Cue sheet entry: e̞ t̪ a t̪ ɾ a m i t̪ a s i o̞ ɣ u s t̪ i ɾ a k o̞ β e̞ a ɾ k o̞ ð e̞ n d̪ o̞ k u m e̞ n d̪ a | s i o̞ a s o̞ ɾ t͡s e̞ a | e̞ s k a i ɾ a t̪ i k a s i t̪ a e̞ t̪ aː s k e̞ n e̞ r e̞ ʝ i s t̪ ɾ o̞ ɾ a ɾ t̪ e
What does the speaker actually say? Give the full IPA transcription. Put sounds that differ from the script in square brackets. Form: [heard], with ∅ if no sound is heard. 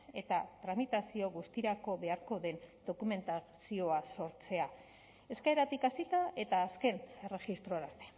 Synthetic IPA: e̞ t̪ a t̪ ɾ a m i t̪ a s i o̞ ɣ u s t̪ i ɾ a k o̞ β e̞ a ɾ k o̞ ð e̞ n d̪ o̞ k u m e̞ n [t̪] a | s i o̞ a s o̞ ɾ t͡s e̞ a | e̞ s k a [e] ɾ a t̪ i k a s i t̪ a e̞ t̪ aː s k e̞ n e̞ r e̞ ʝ i s t̪ ɾ o̞ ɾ a ɾ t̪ e